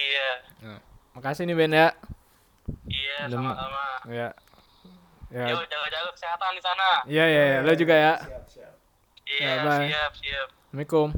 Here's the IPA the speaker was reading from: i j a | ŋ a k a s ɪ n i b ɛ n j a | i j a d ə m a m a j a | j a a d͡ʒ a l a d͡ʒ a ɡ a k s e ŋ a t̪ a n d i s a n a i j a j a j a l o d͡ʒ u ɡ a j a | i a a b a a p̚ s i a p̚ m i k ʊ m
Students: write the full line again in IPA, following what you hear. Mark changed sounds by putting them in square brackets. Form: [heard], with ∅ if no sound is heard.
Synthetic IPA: i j a | [m] a k a s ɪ n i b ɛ n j a | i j a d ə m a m a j a | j a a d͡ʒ a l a d͡ʒ a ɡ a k s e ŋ a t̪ a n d i s a n a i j a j a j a l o d͡ʒ u ɡ a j a | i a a b a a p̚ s i a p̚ m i k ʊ m